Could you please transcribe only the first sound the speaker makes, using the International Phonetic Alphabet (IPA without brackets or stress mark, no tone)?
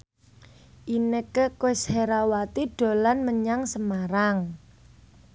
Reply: ʔ